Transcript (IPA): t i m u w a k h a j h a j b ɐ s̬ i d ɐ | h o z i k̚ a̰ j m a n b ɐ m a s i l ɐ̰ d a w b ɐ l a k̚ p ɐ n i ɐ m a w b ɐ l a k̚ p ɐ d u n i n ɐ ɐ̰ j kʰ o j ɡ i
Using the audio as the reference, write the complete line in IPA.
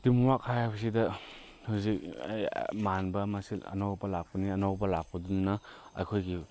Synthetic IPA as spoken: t i m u w a k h a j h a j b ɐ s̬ i d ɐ | h u z i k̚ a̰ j m a n b ɐ m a s i l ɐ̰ n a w b ɐ l a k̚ p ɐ n i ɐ n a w b ɐ l a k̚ p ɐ d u n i n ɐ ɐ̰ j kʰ o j ɡ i